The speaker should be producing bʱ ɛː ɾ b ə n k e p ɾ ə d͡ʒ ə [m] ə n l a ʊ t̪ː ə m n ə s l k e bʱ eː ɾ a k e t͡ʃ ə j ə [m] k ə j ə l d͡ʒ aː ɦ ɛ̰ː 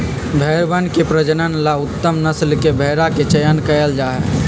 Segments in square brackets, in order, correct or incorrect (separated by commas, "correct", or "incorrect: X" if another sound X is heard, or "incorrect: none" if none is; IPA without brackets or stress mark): incorrect: n, incorrect: n